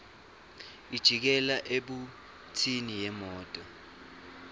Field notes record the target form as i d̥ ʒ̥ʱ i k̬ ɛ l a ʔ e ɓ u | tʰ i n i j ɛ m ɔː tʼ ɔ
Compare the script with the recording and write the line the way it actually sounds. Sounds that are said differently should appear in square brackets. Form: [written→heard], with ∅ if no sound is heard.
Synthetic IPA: i d̥ ʒ̥ʱ i k̬ ɛ l a ʔ e ɓ u | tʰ i n i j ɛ m ɔː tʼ ɔ